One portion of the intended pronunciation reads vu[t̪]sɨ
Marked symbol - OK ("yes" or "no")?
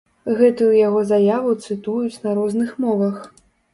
yes